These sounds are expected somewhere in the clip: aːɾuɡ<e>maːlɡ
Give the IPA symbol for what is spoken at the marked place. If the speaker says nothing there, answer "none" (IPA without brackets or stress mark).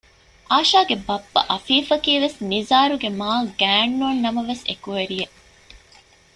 e